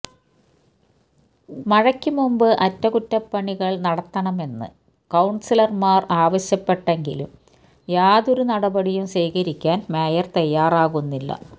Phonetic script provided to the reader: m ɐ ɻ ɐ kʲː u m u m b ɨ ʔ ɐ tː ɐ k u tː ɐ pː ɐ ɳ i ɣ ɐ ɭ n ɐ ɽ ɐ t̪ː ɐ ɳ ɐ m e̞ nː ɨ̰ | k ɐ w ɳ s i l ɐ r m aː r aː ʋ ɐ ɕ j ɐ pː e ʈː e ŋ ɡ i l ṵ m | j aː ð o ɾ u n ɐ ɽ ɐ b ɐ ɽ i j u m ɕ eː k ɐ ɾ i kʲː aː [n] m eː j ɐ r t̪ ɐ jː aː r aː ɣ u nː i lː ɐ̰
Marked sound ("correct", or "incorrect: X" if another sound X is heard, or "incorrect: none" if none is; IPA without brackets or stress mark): correct